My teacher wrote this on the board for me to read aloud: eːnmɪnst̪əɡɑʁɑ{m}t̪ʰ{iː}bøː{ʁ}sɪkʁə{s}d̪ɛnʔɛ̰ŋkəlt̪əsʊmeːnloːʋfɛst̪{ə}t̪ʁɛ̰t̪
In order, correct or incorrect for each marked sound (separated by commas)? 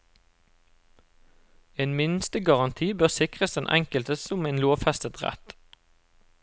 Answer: incorrect, correct, correct, correct, correct